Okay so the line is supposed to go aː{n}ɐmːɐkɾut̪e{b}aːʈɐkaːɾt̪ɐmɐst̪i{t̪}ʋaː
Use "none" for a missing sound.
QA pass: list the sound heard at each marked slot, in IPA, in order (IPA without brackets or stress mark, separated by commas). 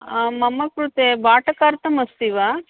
m, b, none